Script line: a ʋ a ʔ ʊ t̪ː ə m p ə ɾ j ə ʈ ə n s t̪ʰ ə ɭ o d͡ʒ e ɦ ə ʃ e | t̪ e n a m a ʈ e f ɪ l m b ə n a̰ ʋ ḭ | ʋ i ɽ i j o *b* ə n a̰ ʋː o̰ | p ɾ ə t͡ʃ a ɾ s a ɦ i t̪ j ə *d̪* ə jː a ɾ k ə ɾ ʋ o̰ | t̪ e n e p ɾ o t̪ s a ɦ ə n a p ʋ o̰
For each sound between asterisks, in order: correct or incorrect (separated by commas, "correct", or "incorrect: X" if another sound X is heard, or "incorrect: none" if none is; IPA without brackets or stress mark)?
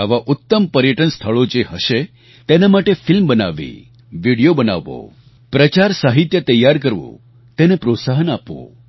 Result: correct, incorrect: t̪